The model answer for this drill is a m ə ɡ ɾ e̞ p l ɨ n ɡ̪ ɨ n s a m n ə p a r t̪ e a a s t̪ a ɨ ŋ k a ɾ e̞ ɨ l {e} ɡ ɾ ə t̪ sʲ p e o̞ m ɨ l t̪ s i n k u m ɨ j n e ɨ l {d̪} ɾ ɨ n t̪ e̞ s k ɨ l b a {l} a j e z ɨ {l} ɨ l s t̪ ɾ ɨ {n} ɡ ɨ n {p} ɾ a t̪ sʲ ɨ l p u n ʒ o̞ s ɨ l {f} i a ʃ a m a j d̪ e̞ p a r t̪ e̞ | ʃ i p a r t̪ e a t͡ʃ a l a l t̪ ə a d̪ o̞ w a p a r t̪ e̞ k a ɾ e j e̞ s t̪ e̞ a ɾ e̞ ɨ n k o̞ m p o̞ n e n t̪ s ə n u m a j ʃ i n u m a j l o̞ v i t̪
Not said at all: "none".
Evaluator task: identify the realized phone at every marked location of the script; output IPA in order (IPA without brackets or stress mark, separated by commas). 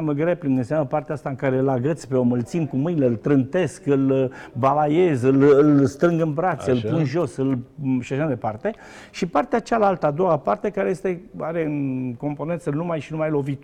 a, t̪, l, l, ŋ, b, ʃ